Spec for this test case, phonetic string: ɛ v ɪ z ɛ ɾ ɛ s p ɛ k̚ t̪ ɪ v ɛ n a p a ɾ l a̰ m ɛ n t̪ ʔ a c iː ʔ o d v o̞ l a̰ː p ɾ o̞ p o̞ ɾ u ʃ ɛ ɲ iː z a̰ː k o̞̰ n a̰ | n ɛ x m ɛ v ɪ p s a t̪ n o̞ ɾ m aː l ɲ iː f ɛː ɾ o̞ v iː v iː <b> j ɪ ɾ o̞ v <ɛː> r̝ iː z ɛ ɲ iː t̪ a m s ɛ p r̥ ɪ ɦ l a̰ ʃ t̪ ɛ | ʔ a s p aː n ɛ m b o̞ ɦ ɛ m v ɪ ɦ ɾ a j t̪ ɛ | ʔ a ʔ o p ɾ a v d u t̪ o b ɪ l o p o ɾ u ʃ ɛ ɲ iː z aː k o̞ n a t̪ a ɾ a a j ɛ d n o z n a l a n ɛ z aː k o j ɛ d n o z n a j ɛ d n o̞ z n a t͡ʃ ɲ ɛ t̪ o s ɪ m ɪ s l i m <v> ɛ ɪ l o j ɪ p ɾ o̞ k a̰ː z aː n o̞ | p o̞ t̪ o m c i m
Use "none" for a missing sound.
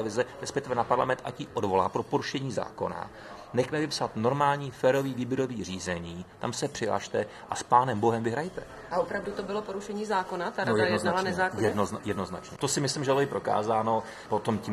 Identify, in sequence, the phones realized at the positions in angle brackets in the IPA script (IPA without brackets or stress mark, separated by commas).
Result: b, iː, ʒ